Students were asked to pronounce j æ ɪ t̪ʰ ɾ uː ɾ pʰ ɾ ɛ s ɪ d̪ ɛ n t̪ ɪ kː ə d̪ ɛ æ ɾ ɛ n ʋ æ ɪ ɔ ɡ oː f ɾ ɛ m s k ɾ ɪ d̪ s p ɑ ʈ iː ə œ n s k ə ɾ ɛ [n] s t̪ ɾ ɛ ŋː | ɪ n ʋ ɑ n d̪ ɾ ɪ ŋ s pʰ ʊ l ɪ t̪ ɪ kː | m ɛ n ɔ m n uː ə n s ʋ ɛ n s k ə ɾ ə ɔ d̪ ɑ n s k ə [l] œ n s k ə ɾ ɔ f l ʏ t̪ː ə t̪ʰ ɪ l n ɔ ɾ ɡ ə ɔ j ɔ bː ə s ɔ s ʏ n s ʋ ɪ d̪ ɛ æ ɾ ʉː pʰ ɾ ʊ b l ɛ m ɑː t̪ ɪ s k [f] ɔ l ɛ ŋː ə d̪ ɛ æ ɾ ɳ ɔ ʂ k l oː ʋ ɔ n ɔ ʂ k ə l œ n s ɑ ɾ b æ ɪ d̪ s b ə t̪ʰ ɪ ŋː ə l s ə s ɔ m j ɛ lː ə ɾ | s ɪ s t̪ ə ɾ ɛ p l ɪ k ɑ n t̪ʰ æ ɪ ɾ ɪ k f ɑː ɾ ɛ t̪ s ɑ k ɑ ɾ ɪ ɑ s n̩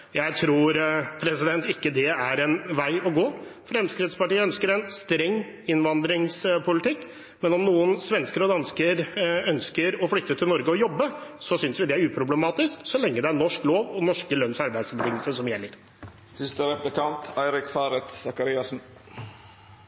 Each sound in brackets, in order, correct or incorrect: correct, incorrect: ɾ, incorrect: s

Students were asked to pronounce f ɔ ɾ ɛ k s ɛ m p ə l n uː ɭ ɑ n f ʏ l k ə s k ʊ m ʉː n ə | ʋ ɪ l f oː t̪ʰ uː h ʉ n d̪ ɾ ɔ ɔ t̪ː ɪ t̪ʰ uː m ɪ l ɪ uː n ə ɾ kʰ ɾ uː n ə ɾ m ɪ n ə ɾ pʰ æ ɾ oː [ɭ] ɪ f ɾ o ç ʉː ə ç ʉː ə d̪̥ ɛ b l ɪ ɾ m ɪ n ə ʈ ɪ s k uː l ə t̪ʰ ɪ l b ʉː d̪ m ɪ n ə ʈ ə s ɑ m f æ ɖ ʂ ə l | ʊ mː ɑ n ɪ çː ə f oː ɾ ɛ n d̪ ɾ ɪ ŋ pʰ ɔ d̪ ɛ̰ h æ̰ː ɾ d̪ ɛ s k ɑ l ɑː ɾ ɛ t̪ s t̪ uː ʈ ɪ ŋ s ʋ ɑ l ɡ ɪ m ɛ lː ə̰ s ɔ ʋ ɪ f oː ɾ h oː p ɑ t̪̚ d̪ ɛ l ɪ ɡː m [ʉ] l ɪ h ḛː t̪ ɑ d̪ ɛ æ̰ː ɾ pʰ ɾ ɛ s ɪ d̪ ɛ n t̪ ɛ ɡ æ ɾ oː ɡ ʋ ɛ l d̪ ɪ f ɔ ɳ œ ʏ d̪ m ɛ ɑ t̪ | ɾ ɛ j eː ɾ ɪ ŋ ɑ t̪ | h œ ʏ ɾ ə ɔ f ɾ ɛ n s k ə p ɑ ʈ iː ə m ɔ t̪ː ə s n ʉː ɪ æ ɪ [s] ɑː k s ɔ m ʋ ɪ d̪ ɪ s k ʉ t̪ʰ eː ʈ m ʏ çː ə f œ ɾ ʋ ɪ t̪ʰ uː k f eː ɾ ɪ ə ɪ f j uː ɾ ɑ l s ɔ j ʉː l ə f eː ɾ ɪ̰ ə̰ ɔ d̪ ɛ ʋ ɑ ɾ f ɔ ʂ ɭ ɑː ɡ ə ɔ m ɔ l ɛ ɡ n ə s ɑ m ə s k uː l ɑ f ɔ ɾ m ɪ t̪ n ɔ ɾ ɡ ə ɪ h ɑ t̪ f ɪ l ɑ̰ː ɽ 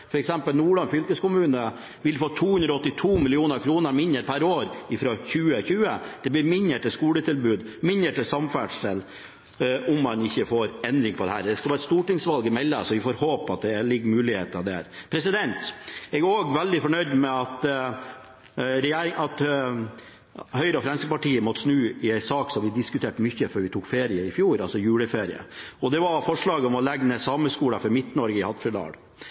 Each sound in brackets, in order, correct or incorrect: incorrect: ɾ, incorrect: ʉː, correct

